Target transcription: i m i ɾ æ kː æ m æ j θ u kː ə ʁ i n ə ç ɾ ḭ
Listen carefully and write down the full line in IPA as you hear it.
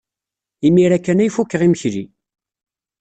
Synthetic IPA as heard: i m i ɾ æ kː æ n æ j f u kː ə ʁ i m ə ç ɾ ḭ